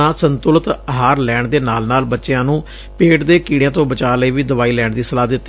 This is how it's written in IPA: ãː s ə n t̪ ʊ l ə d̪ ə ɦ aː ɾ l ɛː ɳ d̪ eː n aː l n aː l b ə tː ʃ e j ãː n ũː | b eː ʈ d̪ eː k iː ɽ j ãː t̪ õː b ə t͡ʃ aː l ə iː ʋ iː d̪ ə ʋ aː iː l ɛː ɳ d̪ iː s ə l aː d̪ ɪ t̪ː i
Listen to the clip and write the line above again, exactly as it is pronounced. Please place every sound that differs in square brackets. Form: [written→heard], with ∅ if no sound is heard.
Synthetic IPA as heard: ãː s ə n t̪ ʊ l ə [d̪→t̪] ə ɦ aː ɾ l ɛː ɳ d̪ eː n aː l n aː l b ə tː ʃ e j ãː n ũː | [b→p] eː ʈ d̪ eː k iː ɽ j ãː t̪ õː b ə t͡ʃ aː l ə iː ʋ iː d̪ ə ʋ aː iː l ɛː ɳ d̪ iː s ə l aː d̪ ɪ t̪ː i